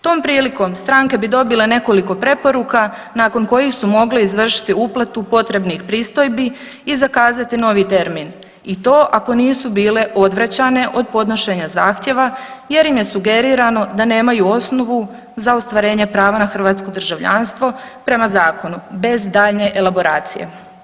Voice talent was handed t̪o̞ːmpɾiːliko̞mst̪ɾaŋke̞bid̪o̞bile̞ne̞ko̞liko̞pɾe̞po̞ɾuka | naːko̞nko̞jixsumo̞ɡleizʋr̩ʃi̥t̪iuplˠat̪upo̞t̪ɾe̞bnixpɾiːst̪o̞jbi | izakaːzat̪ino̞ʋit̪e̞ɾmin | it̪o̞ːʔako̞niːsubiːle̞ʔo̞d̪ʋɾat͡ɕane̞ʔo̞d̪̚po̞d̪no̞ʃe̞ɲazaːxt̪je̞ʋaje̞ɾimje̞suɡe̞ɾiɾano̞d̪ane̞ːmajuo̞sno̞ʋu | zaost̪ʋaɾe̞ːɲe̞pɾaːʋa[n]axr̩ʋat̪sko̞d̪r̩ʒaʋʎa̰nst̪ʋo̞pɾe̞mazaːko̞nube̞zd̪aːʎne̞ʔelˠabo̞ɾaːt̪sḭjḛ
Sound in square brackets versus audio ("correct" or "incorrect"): correct